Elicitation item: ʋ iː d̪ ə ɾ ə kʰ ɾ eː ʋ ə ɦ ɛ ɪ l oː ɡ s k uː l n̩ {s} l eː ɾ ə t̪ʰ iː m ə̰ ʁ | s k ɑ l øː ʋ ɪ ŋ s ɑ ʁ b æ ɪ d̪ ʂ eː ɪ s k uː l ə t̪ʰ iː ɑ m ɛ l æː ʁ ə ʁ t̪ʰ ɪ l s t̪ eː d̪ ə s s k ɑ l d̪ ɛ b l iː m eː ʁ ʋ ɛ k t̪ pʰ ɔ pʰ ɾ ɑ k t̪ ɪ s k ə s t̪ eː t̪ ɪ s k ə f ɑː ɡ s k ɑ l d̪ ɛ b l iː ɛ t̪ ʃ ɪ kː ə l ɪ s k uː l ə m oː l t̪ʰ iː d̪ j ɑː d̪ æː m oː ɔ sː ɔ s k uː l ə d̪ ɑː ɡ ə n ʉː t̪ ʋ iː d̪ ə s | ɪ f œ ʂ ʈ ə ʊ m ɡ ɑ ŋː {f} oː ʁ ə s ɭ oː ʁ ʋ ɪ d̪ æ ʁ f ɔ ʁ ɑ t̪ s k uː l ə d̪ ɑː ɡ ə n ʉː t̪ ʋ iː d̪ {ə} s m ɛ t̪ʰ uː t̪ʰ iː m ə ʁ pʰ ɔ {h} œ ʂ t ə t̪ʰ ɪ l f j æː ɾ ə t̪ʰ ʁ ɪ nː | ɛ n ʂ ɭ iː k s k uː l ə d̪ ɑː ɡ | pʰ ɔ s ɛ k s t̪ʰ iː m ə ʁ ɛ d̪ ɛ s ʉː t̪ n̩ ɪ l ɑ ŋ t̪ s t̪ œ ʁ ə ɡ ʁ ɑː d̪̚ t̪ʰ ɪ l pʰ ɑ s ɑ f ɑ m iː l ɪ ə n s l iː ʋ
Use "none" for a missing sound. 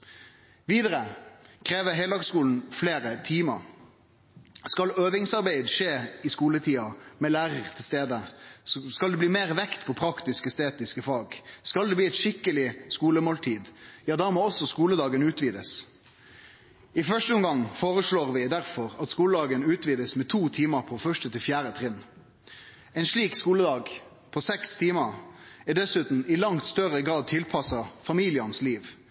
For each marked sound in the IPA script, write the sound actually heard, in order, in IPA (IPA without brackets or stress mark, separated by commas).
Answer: f, f, ə, f